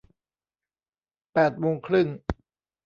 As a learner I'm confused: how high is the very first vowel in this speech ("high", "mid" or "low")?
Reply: mid